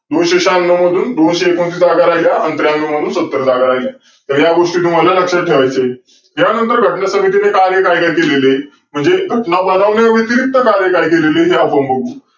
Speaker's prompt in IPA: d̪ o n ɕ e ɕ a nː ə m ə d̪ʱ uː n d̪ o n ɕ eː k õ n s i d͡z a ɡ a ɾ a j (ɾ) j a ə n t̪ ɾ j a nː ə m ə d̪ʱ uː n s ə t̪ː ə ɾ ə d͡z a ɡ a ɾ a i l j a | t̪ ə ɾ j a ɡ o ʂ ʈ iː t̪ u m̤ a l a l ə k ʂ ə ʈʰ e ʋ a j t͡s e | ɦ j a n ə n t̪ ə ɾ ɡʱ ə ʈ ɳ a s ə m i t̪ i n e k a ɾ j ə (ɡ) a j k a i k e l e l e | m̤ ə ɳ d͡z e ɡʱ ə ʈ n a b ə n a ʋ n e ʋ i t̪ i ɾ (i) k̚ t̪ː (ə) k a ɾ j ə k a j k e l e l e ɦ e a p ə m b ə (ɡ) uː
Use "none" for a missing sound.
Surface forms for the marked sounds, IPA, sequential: l, k, i, ə, ɡ

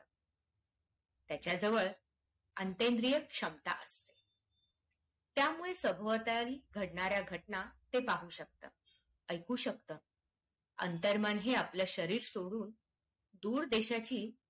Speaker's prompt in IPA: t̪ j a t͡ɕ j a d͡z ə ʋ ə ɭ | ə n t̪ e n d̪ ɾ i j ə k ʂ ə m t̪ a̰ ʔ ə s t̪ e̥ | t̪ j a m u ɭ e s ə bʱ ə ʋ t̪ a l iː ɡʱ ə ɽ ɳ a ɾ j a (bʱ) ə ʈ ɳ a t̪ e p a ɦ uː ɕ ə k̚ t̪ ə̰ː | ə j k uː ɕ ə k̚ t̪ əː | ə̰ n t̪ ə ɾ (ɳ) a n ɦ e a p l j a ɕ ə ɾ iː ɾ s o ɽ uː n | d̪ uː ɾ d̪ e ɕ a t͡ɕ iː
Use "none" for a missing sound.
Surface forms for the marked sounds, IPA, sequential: ɡʱ, m

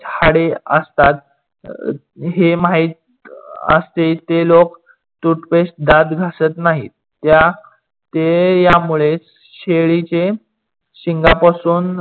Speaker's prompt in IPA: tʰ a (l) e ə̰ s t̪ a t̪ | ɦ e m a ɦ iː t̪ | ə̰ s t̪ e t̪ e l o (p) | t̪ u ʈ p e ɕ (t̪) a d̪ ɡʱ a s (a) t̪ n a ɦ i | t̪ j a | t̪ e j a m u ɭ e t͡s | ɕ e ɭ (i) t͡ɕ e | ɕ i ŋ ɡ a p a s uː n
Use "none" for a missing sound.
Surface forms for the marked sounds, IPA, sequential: ɽ, k, d̪, ə, i

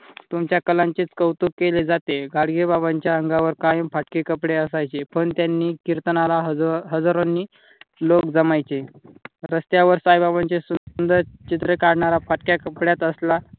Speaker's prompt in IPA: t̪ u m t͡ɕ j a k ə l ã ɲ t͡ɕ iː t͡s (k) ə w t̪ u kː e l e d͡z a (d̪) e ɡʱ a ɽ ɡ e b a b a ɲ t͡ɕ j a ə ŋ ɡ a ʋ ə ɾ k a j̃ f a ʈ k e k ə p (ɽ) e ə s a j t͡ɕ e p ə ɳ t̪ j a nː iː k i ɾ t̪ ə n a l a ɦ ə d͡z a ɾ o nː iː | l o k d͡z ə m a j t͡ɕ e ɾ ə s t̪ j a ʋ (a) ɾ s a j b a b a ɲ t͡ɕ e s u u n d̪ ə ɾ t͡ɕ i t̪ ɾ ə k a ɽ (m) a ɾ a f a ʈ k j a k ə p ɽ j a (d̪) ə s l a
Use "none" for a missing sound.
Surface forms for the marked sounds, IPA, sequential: k, t̪, ɽ, ə, ɳ, t̪

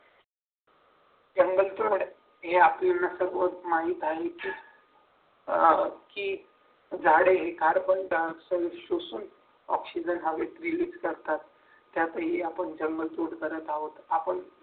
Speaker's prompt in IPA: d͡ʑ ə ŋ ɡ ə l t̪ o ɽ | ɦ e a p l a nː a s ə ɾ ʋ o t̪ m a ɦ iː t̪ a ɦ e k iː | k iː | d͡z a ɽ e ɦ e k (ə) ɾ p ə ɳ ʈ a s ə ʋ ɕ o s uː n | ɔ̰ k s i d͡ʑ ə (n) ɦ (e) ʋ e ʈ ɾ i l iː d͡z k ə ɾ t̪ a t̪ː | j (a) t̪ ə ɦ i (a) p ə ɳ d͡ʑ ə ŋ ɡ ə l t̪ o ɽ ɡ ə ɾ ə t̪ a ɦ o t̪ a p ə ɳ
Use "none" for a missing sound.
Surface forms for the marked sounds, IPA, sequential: a, n, a, a, a

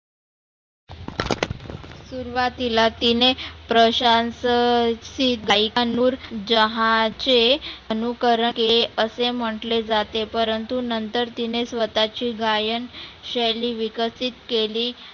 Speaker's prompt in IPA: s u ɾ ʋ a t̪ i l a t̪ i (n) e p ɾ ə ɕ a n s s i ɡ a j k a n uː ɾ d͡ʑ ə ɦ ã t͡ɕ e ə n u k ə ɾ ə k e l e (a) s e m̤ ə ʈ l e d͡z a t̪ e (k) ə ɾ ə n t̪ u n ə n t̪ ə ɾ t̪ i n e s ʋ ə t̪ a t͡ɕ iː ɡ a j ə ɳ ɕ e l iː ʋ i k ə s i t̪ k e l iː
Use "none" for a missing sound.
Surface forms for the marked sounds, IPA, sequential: n, ə, p

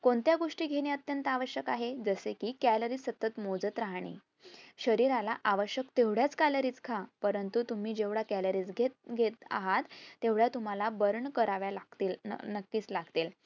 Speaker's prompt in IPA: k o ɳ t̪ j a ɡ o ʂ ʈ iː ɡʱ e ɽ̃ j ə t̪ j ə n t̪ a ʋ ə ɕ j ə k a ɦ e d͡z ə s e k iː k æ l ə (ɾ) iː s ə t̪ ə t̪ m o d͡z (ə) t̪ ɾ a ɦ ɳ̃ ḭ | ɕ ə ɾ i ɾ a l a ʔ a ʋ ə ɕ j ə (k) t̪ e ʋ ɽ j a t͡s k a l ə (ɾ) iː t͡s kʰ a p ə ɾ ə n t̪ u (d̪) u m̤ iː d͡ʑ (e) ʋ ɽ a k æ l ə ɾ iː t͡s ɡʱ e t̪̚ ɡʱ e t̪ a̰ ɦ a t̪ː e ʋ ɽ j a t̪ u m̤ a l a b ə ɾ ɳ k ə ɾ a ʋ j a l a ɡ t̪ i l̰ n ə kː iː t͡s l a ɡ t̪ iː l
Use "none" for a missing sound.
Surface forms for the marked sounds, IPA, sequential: ɾ, ə, k, ɾ, t̪, e

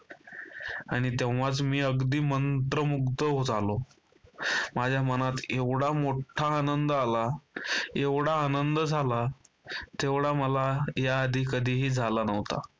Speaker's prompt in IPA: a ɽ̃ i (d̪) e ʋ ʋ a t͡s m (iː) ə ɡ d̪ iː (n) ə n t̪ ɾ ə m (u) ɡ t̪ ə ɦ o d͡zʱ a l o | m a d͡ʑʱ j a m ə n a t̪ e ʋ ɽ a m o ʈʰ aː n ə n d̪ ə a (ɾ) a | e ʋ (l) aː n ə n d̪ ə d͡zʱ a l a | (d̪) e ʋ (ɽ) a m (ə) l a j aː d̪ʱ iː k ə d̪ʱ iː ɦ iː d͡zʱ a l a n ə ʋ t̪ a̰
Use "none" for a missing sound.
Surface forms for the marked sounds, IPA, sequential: t̪, iː, m, u, l, ɽ, t̪, ɽ, ə

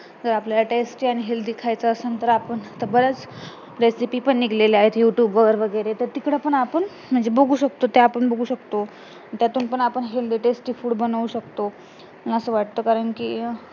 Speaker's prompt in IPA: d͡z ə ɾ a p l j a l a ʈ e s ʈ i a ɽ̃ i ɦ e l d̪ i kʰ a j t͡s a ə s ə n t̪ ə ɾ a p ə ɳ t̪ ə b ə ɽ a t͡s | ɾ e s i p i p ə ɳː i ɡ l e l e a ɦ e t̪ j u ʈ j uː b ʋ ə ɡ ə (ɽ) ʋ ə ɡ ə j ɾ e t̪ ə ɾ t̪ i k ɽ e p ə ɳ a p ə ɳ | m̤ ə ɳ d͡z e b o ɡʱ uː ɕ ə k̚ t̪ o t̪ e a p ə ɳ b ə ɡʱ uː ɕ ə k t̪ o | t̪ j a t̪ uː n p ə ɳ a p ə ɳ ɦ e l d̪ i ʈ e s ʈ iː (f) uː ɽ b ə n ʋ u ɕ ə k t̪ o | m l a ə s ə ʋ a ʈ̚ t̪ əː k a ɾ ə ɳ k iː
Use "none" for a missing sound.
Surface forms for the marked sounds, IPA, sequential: ɾ, f

